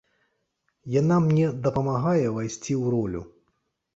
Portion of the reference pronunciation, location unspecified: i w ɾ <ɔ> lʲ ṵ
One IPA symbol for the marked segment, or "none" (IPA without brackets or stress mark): ɔ